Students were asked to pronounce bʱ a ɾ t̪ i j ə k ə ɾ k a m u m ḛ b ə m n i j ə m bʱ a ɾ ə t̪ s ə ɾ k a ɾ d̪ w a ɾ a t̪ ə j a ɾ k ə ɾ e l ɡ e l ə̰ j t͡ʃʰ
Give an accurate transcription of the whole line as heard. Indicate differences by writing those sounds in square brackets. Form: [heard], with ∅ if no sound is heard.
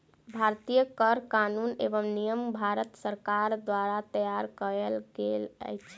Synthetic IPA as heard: bʱ a ɾ t̪ i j ə k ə ɾ k a [n] u [n] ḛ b ə m n i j ə m bʱ a ɾ ə t̪ s ə ɾ k a ɾ d̪ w a ɾ a t̪ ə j a ɾ k ə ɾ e l ɡ e l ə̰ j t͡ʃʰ